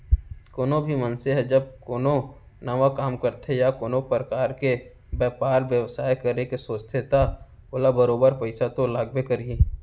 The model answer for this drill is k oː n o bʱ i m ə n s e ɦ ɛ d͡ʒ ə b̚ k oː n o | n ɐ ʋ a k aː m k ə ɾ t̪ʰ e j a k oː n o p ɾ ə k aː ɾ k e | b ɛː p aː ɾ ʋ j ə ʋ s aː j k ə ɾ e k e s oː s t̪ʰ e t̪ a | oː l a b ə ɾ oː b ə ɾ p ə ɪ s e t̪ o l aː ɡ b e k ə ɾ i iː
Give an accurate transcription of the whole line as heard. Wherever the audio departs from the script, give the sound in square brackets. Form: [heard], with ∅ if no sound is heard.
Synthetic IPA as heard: k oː n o bʱ i m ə n s e ɦ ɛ d͡ʒ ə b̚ k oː n o | n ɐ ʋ a k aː m k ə ɾ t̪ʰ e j a k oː n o p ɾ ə k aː ɾ k e | b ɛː p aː ɾ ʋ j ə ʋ s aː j k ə ɾ e k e s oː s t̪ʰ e t̪ a | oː l a b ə ɾ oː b ə ɾ p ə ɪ s [a] t̪ o l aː ɡ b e k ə ɾ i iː